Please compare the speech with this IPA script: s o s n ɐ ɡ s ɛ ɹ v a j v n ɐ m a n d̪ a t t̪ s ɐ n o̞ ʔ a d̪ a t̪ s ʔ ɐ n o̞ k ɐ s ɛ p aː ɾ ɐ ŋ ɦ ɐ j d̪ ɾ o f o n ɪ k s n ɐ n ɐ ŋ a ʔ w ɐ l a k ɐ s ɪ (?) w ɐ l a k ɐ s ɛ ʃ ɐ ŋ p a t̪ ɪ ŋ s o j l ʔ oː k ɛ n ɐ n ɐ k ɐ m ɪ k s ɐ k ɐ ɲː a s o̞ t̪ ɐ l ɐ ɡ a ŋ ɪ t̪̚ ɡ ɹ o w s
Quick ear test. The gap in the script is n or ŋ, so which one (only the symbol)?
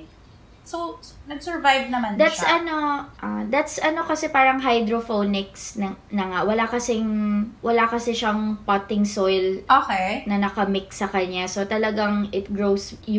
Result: ŋ